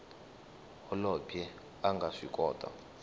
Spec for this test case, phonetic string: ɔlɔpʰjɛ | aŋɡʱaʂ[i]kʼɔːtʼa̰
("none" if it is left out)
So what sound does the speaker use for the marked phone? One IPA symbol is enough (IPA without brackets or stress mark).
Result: i